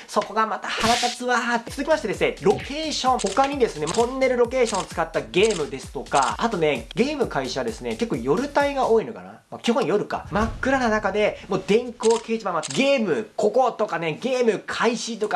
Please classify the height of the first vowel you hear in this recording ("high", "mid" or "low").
mid